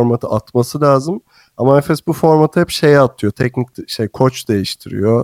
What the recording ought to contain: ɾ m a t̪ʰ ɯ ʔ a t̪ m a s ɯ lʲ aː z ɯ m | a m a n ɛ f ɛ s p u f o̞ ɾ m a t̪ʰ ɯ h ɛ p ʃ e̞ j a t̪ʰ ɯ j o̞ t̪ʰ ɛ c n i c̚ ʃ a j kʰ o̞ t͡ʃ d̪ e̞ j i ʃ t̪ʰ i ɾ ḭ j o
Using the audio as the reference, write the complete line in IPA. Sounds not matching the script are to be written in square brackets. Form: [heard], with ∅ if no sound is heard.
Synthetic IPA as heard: ɾ m a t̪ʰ ɯ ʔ a t̪ m a s ɯ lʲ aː z ɯ m | a m a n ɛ f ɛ s [b] u f o̞ ɾ m a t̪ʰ ɯ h ɛ p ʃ e̞ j a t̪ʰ ɯ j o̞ t̪ʰ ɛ c n i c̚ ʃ [e] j kʰ o̞ t͡ʃ d̪ e̞ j i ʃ t̪ʰ i ɾ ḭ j o